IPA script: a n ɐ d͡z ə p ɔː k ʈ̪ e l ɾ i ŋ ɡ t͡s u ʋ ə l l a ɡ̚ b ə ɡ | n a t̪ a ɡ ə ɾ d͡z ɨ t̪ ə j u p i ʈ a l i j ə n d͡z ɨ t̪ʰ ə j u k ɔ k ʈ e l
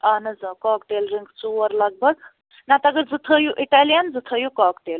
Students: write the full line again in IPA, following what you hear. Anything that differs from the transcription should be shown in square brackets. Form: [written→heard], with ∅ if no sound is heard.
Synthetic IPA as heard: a n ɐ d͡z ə [p→k] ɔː k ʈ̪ e l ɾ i ŋ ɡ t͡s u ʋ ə [l→ɾ] l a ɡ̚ b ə ɡ | n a t̪ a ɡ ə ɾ d͡z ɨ [t̪→t̪ʰ] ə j u [p→ʔ] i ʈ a l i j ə n d͡z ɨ t̪ʰ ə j u k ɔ k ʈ e l

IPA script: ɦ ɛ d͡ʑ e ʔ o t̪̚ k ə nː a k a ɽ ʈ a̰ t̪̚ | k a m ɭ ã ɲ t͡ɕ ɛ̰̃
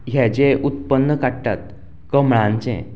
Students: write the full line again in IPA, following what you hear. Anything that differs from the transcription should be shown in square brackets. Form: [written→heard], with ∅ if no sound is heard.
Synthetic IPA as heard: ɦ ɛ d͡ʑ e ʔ [o→u] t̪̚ [k→p] ə nː [a→ə] k a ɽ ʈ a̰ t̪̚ | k [a→ə] m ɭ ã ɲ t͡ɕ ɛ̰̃

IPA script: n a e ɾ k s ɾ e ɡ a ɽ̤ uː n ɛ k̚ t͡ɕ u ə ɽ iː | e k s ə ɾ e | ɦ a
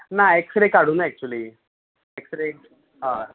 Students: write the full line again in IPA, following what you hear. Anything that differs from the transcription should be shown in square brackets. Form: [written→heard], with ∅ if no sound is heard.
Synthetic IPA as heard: n a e [ɾ→∅] k s ɾ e [ɡ→k] a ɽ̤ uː n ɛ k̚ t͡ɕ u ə [ɽ→l] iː | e k s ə ɾ e | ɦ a

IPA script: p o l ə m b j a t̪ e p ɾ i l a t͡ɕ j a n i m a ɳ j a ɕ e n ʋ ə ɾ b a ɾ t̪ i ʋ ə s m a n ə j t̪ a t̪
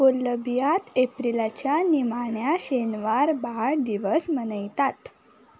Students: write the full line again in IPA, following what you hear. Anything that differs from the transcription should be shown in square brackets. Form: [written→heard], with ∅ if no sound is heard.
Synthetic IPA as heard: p o l ə [m→∅] b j a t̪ e p ɾ i l a t͡ɕ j a n i m a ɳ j a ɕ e n ʋ [ə→a] ɾ b a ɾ [t̪→d̪] i ʋ ə s m [a→ə] n ə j t̪ a t̪

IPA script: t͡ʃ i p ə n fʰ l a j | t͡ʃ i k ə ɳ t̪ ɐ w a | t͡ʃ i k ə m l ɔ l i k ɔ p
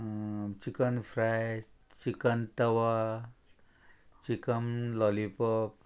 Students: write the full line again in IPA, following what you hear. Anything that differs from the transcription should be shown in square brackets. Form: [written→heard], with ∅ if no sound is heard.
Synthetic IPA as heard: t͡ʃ i [p→k] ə n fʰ [l→ɾ] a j | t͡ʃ i k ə [ɳ→n] t̪ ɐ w a | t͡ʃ i k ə m l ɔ l i [k→p] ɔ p

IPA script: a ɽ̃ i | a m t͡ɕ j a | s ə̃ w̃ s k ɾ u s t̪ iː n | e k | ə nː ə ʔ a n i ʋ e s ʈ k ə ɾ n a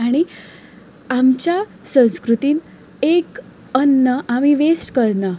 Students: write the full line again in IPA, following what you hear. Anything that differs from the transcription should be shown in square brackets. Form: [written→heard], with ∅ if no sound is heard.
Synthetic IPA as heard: a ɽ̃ i | a m t͡ɕ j a | s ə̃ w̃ s k ɾ u [s→∅] t̪ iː n | e k | ə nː ə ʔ a [n→m] i ʋ e s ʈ k ə ɾ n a

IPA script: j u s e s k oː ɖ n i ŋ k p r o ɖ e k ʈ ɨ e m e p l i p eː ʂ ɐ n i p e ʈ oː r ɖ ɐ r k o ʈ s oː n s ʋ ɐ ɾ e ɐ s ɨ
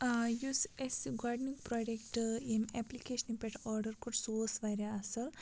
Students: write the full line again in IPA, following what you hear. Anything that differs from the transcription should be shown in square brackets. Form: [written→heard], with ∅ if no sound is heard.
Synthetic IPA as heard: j u s e s [k→ɡ] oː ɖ n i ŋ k p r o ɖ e k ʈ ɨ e m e p l i [p→k] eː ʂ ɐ n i p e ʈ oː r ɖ ɐ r k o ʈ s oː [n→∅] s ʋ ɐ ɾ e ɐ s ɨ

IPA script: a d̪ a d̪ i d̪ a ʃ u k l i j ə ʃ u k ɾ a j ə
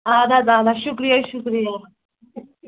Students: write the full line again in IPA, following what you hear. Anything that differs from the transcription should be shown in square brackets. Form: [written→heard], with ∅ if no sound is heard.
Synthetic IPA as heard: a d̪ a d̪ [i→a] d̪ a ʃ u k [l→ɾ] i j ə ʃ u k ɾ [a→i] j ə

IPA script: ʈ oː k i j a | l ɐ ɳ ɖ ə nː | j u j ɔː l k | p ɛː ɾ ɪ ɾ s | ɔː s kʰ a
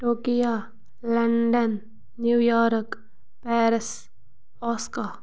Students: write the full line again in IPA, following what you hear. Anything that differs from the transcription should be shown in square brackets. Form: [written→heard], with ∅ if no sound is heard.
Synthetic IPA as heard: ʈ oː k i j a | l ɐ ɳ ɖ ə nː | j u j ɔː [l→ɾ] k | p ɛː ɾ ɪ [ɾ→∅] s | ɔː s [kʰ→k] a

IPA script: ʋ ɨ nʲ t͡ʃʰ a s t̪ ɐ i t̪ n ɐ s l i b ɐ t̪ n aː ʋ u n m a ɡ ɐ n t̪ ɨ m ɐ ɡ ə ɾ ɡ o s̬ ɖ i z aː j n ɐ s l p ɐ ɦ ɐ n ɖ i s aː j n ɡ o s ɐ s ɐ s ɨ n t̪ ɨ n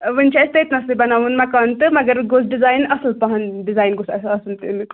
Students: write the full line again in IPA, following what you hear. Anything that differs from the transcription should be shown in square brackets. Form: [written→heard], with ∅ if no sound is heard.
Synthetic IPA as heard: ʋ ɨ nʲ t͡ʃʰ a s t̪ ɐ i t̪ n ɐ s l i b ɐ [t̪→∅] n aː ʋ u n m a [ɡ→k] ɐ n t̪ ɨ m ɐ ɡ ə ɾ ɡ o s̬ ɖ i z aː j n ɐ s l p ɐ ɦ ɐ n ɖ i [s→z] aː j n ɡ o s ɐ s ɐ s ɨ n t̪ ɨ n

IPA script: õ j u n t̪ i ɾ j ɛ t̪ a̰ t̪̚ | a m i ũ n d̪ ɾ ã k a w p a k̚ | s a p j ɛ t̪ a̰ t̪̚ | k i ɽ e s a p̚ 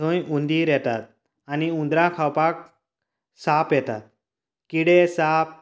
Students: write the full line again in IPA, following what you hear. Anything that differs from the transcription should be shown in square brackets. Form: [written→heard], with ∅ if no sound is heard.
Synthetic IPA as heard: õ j u n [t̪→d̪] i ɾ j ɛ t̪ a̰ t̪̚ | a [m→n] i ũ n d̪ ɾ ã [k→kʰ] a w p a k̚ | s a p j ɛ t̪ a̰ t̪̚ | k i ɽ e s a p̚

